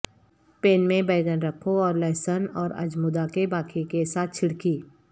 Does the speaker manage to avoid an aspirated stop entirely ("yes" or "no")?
no